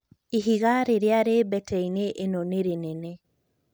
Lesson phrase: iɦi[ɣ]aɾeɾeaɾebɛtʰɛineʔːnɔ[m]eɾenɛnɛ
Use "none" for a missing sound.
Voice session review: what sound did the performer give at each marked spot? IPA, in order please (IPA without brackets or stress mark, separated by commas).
ɣ, n